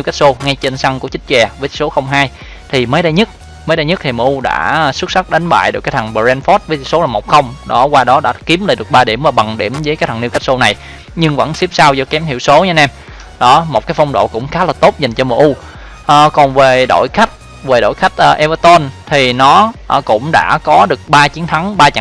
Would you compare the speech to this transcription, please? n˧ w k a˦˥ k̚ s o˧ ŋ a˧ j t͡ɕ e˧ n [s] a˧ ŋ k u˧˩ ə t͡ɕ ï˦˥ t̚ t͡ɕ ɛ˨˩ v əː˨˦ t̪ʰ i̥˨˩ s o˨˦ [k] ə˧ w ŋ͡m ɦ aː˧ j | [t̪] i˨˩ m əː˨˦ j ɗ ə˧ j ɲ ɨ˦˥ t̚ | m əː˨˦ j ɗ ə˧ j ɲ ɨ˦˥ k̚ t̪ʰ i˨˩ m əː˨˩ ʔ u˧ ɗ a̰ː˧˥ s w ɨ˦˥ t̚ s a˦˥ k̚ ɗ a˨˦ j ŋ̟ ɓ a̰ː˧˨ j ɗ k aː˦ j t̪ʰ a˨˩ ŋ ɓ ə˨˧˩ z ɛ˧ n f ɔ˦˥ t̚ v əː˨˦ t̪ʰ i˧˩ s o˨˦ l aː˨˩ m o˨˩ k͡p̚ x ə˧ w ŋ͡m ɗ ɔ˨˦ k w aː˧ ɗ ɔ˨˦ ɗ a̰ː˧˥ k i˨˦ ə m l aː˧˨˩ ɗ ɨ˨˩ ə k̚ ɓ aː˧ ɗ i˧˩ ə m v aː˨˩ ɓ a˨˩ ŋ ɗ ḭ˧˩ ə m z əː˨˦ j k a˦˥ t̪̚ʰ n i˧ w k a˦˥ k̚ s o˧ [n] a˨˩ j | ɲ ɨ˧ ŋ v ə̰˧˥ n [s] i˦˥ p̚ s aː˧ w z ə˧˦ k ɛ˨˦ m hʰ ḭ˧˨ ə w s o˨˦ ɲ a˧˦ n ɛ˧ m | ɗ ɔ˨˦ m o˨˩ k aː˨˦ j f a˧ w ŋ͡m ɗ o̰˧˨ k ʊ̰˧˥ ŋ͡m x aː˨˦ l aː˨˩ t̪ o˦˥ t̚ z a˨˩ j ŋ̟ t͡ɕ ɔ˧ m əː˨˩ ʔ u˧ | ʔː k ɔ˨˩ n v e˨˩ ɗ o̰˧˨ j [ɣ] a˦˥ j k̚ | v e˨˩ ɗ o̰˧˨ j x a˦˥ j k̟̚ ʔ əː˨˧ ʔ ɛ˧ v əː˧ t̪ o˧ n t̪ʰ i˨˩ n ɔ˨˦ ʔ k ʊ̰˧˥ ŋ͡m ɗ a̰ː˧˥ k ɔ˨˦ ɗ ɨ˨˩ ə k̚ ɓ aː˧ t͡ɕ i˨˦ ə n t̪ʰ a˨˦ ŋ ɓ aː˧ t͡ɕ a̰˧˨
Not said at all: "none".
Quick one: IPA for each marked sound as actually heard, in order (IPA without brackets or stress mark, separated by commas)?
s, x, t̪ʰ, n, s, x